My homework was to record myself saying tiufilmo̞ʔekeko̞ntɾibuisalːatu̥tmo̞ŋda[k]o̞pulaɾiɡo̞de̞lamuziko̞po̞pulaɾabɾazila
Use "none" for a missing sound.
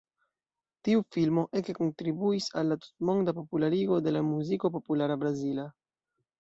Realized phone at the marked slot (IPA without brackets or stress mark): p